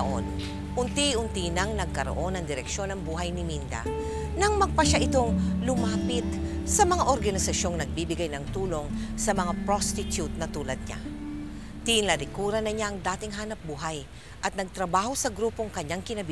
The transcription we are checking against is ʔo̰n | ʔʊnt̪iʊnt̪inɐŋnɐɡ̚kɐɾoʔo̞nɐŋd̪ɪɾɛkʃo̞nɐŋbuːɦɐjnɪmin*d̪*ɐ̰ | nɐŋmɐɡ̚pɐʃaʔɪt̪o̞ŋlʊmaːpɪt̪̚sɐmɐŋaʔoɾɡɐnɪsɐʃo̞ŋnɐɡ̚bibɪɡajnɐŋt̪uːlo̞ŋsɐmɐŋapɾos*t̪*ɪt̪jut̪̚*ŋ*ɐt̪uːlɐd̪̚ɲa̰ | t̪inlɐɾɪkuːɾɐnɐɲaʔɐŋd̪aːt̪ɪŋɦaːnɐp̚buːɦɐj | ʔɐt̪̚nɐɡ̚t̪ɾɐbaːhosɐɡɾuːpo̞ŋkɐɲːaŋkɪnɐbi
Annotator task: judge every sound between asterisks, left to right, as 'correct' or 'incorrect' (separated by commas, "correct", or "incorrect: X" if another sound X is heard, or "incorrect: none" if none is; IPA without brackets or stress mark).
correct, correct, incorrect: n